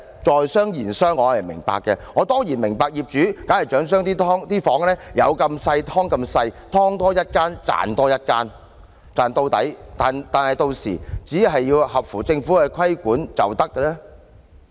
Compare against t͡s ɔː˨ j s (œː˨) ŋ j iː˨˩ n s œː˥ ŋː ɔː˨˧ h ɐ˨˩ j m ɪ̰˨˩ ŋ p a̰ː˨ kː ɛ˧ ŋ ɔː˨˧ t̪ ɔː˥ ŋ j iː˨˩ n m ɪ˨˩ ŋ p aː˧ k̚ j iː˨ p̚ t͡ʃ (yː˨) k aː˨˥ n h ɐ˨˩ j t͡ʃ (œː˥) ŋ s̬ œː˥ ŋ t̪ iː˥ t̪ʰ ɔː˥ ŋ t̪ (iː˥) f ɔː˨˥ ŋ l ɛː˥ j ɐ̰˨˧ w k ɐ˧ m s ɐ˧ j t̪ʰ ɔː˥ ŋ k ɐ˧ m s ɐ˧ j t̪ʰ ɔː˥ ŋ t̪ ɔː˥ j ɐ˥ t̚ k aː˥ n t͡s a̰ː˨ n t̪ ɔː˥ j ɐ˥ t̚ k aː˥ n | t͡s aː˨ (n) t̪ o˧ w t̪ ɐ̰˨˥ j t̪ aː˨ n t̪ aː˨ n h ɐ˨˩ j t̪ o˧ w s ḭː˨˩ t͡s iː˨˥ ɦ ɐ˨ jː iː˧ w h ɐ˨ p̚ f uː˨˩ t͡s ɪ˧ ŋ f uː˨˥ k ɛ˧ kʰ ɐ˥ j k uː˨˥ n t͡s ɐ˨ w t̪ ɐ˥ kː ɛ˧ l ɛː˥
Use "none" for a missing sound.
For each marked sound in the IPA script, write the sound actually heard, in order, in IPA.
œː˥, yː˨˥, œː˨˥, iː˥, n

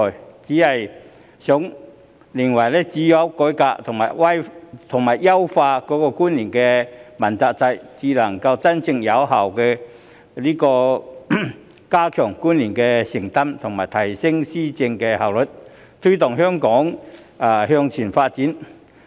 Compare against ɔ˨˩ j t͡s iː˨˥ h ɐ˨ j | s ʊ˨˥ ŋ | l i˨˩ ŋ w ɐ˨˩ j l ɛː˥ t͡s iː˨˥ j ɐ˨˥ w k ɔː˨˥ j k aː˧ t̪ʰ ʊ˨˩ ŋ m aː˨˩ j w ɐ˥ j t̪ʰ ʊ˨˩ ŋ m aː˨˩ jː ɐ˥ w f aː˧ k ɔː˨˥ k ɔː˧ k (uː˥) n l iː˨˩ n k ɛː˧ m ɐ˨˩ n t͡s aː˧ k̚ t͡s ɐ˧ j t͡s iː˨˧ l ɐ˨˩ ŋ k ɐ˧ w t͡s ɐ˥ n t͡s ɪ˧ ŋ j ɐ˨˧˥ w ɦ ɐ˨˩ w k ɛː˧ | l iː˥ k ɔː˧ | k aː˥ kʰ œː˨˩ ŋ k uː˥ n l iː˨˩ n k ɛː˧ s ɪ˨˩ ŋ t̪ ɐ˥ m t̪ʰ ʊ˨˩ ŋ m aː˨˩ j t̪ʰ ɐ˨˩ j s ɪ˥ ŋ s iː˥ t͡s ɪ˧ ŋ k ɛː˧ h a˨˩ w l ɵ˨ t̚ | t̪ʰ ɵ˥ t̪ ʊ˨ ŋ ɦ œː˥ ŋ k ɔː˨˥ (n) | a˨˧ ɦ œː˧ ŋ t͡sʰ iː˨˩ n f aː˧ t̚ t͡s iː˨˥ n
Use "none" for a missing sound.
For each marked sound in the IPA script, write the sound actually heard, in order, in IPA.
uː˥, ŋ

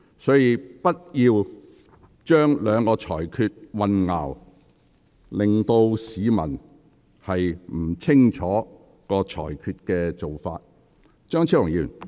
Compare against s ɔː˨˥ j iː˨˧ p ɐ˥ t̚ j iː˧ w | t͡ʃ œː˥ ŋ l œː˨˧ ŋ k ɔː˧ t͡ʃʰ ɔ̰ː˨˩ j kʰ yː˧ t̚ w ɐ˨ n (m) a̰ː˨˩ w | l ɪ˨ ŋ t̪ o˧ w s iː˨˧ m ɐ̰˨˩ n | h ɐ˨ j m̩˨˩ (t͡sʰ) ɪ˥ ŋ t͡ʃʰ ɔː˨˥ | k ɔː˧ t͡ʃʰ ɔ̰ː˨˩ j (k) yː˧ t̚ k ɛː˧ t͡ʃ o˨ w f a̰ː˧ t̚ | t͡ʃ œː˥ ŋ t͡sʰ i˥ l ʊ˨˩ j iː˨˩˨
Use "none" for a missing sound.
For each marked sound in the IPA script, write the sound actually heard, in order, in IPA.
ŋ, t͡sʰ, kʰ

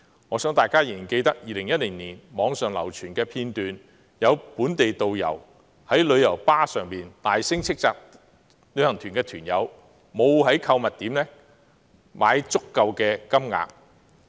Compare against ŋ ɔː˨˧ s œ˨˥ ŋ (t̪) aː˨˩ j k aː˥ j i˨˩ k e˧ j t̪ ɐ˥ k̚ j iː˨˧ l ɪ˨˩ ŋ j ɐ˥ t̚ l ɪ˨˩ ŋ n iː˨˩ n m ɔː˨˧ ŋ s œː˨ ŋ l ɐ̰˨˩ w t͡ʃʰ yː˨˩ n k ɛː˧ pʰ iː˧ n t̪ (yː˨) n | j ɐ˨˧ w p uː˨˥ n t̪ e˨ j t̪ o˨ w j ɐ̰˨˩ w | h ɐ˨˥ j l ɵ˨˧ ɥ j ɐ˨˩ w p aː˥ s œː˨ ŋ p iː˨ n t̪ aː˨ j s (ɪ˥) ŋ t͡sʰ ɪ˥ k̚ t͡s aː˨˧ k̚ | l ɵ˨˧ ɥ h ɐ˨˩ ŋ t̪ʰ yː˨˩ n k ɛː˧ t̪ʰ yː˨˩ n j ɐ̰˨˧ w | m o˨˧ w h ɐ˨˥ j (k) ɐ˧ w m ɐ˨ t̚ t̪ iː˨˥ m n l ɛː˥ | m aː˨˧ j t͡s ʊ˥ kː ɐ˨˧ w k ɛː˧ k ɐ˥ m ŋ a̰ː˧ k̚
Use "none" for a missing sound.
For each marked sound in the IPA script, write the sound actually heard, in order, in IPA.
t̪, yː˨, ɪ˥, kʰ

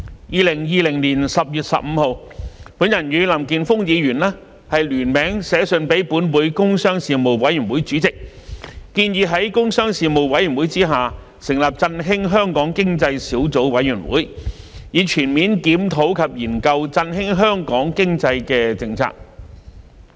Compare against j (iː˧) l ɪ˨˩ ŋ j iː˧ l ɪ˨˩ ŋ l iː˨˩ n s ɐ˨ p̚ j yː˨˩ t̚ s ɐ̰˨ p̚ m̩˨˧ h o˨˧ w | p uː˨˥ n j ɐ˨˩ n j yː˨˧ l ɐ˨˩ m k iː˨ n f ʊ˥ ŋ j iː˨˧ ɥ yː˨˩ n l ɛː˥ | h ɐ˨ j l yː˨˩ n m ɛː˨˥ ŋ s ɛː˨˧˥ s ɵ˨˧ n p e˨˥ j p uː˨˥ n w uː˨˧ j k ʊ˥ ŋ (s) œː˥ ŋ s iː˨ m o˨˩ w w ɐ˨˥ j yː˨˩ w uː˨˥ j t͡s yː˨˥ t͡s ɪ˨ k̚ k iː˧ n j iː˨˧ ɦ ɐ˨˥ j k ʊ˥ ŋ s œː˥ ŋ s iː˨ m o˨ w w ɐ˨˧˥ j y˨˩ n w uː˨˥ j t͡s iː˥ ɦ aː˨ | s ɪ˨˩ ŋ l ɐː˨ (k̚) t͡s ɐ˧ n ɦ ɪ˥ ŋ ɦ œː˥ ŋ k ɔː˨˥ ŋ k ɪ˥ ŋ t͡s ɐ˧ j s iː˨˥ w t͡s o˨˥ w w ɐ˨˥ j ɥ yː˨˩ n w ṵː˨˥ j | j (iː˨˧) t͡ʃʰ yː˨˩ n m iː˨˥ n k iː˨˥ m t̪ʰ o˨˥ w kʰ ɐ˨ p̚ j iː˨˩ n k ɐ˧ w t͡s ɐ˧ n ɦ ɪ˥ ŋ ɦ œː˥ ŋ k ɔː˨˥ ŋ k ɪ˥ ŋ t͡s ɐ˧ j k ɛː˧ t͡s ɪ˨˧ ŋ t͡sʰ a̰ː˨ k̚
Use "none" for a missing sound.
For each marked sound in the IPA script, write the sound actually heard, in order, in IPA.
iː˧, s, p̚, iː˨˧

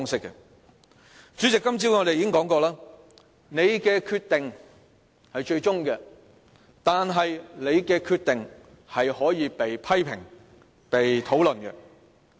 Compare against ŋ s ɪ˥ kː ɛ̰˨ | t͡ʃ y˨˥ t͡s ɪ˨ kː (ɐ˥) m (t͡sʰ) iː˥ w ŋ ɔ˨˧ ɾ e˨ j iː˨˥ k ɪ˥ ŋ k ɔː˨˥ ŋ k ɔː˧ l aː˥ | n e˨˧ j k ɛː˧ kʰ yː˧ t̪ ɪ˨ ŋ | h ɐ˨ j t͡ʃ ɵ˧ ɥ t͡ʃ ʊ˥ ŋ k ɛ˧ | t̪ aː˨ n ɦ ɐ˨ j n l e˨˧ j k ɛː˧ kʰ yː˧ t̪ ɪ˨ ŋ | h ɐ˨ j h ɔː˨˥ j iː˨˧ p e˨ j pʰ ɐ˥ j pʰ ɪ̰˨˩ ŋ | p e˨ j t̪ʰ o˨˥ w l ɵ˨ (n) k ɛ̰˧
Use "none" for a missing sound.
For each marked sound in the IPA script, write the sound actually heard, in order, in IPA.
ɐ˥, t͡s, n

